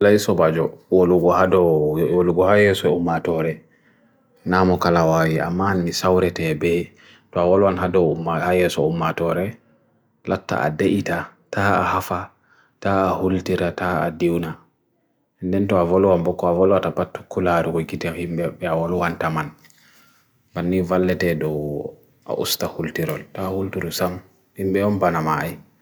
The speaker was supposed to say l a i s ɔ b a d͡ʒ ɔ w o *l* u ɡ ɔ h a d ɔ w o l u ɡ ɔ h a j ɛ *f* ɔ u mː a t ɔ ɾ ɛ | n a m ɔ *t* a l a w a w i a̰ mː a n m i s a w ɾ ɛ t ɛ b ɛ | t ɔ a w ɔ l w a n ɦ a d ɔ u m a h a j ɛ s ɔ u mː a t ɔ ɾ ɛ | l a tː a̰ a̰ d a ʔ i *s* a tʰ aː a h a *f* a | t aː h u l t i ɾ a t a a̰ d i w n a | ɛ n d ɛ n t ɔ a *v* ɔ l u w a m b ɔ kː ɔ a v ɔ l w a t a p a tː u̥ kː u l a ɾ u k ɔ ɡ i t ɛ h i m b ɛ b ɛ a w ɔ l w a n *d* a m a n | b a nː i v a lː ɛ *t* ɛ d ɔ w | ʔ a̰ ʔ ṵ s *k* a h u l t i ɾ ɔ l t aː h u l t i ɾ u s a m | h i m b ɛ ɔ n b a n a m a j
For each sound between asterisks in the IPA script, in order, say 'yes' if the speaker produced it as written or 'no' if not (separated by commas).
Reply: yes, no, no, no, yes, yes, no, yes, no